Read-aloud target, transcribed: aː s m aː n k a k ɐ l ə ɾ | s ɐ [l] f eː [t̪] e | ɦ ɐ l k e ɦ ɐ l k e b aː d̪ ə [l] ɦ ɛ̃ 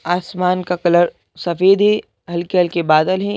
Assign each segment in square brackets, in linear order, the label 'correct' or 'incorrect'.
incorrect: none, incorrect: d̪, correct

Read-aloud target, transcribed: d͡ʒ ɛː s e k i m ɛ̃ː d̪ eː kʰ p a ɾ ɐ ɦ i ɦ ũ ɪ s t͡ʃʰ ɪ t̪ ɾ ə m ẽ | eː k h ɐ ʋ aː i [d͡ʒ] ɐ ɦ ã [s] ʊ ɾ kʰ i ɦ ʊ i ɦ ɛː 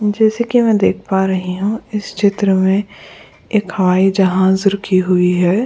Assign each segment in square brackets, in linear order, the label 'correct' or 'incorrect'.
correct, incorrect: z

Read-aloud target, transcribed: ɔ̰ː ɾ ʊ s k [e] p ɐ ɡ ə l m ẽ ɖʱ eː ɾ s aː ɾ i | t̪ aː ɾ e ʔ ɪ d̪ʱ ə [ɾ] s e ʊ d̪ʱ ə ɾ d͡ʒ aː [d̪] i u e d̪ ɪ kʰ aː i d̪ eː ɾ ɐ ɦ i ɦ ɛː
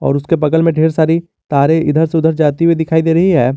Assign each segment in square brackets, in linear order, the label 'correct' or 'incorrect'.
correct, correct, incorrect: t̪

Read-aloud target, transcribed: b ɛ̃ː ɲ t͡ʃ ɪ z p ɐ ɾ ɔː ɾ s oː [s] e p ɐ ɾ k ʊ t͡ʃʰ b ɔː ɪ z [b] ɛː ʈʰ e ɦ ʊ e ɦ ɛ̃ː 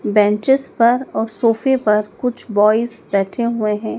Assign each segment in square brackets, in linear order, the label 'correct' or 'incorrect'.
incorrect: f, correct

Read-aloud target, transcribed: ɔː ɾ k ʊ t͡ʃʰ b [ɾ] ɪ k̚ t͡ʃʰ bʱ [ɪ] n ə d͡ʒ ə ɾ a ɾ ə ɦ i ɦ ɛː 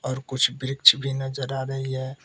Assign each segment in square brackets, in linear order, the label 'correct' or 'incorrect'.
correct, incorrect: i

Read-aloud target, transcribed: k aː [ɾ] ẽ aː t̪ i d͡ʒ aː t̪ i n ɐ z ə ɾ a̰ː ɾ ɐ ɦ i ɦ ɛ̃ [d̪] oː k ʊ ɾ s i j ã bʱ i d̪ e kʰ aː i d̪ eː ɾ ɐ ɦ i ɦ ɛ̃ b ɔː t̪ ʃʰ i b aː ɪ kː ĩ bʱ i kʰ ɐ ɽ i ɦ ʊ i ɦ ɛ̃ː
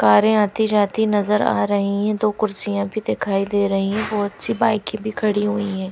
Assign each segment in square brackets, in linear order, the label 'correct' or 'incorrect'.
correct, correct

